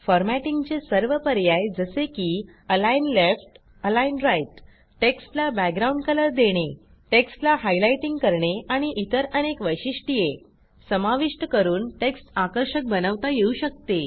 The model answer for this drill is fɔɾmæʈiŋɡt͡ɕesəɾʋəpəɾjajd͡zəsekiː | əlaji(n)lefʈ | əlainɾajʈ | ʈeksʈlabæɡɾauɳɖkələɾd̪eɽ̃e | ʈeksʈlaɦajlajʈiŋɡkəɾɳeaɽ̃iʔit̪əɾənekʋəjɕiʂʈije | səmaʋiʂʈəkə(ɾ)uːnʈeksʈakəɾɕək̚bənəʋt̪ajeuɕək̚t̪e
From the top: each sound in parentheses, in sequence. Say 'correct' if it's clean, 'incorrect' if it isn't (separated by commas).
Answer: correct, correct